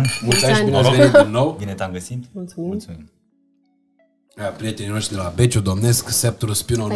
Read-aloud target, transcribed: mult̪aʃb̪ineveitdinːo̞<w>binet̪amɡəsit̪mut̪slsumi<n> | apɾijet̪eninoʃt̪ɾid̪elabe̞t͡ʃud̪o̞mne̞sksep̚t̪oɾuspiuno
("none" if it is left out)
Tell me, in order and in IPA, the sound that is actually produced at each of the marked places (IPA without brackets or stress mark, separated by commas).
w, m